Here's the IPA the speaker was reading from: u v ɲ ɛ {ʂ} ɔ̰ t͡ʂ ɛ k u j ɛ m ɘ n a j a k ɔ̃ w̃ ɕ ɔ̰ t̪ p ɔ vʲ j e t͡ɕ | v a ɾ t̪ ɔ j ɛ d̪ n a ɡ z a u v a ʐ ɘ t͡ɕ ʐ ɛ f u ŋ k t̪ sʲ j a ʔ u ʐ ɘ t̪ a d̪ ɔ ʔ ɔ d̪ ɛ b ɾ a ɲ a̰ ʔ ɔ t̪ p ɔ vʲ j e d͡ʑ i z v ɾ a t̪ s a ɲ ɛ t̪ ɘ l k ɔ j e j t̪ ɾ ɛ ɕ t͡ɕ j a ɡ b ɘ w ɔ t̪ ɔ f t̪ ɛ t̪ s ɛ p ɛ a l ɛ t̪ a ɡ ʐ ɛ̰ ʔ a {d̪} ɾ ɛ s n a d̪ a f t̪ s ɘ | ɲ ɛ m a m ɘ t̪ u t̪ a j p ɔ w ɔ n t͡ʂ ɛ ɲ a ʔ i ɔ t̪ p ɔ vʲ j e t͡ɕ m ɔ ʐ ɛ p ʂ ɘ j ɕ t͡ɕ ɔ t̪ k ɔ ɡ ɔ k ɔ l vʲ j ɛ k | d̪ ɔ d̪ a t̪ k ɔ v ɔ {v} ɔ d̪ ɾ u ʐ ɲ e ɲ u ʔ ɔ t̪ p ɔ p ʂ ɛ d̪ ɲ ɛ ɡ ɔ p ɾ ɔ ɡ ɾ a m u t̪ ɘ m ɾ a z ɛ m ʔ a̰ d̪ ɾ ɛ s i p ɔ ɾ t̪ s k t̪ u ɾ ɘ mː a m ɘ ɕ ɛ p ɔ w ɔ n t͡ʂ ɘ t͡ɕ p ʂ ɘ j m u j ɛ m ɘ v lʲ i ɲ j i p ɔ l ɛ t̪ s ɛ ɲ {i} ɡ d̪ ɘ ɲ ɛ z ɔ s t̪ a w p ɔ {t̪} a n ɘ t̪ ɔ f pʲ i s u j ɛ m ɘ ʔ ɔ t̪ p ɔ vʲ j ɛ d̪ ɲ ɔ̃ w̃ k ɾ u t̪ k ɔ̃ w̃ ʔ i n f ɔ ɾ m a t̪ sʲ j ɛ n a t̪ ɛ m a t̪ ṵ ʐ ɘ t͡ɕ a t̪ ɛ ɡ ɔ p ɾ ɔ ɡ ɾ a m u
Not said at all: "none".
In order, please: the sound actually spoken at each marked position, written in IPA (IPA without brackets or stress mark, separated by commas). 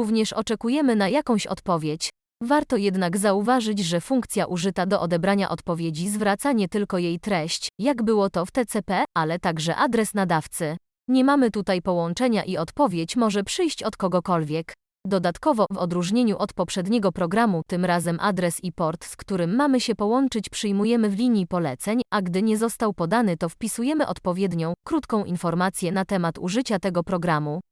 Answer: ʂ, d̪, v, a, d̪